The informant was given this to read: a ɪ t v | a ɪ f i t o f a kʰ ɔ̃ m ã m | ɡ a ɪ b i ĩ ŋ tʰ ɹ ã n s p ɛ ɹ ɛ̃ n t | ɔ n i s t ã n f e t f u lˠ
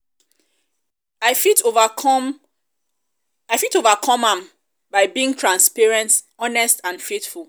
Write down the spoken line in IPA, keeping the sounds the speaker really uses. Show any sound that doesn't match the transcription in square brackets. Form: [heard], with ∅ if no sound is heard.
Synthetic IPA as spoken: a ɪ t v | a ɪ f i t o [v] a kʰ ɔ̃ m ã m | [b] a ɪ b i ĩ ŋ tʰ ɹ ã n s p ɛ ɹ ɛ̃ n t | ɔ n [ɛ] s t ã n f e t f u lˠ